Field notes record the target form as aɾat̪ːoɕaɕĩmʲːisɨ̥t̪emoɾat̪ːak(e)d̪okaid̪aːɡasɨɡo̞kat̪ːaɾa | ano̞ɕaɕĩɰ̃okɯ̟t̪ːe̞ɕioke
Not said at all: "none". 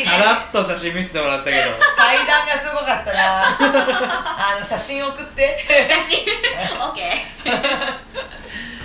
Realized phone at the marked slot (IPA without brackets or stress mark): e